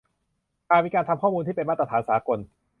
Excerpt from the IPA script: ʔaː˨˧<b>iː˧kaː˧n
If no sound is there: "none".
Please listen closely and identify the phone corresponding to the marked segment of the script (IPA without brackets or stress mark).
m